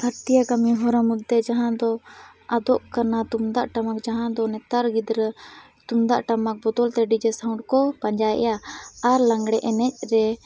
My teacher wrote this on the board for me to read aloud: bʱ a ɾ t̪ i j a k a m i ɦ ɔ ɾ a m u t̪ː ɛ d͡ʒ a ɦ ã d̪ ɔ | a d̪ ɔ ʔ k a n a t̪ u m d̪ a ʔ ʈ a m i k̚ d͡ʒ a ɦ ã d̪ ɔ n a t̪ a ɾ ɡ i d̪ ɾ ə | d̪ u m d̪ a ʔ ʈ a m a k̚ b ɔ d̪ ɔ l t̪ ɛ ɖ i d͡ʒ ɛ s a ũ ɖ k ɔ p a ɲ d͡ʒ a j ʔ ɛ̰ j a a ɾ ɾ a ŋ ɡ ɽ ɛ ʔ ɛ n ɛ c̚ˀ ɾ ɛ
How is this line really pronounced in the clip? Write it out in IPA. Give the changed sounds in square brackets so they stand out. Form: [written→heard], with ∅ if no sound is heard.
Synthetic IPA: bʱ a ɾ t̪ i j a k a m i ɦ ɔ ɾ a m u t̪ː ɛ d͡ʒ a ɦ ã d̪ ɔ | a d̪ ɔ ʔ k a n a t̪ u m d̪ a ʔ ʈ a m [i→a] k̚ d͡ʒ a ɦ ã d̪ ɔ n [a→ɛ] t̪ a ɾ ɡ i d̪ ɾ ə | [d̪→t̪] u m d̪ a ʔ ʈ a m a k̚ b ɔ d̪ ɔ l t̪ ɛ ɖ i d͡ʒ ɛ s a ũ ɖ k ɔ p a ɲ d͡ʒ a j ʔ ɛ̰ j a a ɾ [ɾ→l] a ŋ ɡ ɽ ɛ ʔ ɛ n ɛ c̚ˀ ɾ ɛ